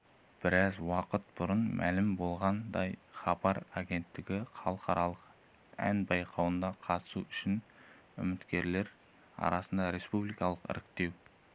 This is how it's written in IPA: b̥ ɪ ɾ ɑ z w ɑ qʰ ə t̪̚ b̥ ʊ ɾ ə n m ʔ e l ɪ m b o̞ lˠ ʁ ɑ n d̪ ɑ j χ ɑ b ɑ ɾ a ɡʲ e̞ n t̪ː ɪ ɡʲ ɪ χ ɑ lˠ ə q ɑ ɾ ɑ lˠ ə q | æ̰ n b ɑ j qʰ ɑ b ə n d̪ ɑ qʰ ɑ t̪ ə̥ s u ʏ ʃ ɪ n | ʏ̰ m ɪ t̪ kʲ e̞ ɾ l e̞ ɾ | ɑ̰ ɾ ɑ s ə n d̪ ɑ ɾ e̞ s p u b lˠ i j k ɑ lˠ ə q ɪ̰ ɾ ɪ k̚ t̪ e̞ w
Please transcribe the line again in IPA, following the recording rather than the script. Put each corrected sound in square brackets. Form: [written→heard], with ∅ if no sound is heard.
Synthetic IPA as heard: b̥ ɪ ɾ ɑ z w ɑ [qʰ→q] ə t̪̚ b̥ ʊ ɾ ə n m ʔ [e→æ] l ɪ m b o̞ lˠ ʁ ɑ n d̪ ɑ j χ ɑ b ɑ ɾ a ɡʲ e̞ n t̪ː ɪ ɡʲ ɪ χ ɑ lˠ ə q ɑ ɾ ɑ lˠ ə q | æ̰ n b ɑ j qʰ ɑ [b→w] ə n d̪ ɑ qʰ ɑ t̪ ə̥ s u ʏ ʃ ɪ n | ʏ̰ m ɪ t̪ kʲ e̞ ɾ l e̞ ɾ | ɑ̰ ɾ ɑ s ə n d̪ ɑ ɾ e̞ s p u b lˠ i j k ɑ lˠ ə q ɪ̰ ɾ ɪ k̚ t̪ e̞ w